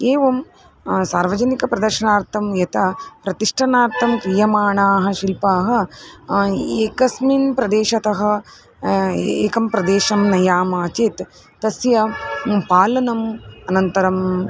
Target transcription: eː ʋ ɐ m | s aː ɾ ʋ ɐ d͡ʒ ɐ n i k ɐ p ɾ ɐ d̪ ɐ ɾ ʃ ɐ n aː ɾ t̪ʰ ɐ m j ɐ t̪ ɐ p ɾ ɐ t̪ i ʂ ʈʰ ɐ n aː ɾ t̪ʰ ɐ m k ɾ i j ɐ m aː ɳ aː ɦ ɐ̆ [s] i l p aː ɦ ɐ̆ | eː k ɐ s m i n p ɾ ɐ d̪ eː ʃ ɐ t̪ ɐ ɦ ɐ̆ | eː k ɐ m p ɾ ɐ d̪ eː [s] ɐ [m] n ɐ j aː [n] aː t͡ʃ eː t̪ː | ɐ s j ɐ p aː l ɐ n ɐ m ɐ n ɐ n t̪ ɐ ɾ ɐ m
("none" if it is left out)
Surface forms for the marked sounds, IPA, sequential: ʃ, ʃ, m, m

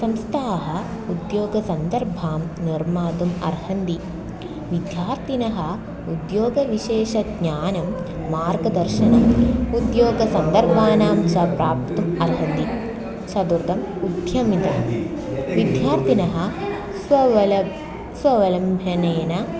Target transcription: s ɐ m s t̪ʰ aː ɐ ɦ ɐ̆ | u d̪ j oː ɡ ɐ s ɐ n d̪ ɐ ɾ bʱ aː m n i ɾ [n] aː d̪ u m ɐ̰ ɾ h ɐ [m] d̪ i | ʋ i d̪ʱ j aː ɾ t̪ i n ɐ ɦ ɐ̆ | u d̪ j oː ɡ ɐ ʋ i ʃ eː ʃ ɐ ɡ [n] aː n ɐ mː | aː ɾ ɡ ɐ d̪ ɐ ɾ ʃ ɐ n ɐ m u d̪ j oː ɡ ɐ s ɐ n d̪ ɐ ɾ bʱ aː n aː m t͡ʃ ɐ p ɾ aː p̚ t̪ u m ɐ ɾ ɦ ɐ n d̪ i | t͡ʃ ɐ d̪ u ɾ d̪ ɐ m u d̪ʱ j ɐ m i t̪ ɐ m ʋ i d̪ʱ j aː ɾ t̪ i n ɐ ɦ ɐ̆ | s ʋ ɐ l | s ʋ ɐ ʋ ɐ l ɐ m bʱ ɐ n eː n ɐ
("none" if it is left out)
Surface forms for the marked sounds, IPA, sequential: m, n, ɲ

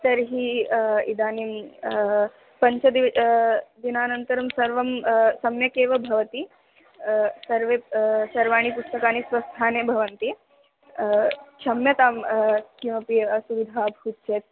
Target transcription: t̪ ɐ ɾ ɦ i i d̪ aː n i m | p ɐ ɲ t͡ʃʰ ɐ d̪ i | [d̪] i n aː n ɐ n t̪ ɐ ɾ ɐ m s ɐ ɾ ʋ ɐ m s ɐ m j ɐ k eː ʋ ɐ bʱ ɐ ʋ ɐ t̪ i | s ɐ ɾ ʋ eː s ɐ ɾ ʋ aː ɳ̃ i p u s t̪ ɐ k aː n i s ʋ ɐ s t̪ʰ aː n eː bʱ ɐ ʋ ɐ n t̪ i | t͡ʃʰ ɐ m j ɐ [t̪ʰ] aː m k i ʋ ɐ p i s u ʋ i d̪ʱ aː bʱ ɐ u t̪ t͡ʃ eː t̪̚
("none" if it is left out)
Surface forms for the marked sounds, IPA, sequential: d̪, t̪

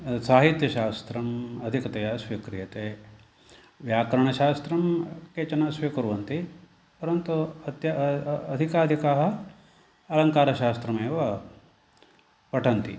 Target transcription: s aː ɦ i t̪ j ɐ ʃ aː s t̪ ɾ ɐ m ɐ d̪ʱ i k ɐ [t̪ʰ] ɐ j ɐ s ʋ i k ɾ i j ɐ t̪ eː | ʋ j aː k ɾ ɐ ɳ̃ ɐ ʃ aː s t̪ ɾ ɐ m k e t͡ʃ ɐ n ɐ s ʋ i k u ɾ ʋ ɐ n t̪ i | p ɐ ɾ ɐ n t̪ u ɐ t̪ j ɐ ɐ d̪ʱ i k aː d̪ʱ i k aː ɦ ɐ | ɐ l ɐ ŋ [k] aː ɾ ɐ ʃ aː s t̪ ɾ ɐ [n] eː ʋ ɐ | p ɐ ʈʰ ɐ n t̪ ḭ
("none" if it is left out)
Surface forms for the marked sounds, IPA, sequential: t̪, k, m

